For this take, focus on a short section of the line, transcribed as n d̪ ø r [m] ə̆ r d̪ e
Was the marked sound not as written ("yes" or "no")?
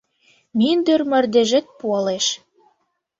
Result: no